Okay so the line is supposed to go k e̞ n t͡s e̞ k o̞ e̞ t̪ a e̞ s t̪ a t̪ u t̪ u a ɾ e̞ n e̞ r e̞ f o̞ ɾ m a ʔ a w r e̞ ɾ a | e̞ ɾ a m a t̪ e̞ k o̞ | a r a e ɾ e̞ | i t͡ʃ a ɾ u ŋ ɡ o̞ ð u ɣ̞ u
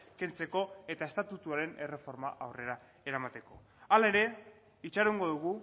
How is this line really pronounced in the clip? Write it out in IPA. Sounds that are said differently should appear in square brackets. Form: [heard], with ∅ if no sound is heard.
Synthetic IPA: k e̞ n t͡s e̞ k o̞ e̞ t̪ a e̞ s t̪ a t̪ u t̪ u a ɾ e̞ n e̞ r e̞ f o̞ ɾ m a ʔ a w r e̞ ɾ a | e̞ ɾ a m a t̪ e̞ k o̞ | a [l] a e ɾ e̞ | i t͡ʃ a ɾ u ŋ ɡ o̞ ð u ɣ̞ u